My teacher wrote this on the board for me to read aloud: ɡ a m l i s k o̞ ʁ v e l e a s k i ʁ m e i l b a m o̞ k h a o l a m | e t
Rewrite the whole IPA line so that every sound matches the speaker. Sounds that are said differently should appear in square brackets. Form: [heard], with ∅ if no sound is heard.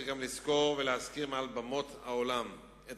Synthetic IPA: ɡ a m l i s k o̞ ʁ v e l e a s k i ʁ m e [a] l b a m o̞ [t] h a o l a m | e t